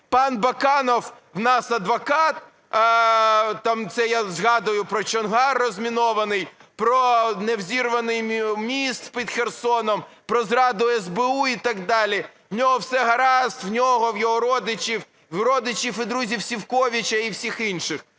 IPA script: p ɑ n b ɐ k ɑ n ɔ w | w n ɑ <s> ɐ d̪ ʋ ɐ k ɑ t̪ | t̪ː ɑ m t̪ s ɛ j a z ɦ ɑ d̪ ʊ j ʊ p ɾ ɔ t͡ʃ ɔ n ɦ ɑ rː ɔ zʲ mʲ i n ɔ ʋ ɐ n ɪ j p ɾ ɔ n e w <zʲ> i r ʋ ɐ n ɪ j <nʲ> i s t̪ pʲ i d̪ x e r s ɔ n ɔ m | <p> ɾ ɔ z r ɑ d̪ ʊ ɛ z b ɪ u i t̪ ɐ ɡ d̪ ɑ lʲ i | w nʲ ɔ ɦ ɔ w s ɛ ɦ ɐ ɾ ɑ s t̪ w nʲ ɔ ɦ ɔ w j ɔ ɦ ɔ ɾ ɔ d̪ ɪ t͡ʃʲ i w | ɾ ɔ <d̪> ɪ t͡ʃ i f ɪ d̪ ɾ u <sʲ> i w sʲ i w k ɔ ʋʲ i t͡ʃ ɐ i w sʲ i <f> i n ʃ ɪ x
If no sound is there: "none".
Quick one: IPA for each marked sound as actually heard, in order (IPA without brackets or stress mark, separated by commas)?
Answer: s, zʲ, mʲ, p, d̪, zʲ, x